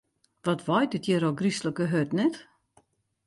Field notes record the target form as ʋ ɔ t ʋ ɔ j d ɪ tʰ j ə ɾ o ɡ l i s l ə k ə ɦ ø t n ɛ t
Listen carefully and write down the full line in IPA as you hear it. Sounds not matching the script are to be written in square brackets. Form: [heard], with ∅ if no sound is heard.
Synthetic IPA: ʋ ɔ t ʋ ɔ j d ɪ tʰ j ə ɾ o ɡ [r] i s l ə k ə ɦ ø t n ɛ t